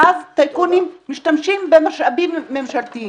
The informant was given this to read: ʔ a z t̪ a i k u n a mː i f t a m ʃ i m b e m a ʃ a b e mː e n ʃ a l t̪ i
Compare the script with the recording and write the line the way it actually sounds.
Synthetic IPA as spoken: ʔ a z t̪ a j k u n i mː i ʃ t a m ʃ i m b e m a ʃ a b i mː e m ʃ a l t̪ i